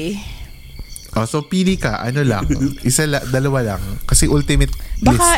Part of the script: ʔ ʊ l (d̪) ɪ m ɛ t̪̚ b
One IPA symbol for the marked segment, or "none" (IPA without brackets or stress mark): t̪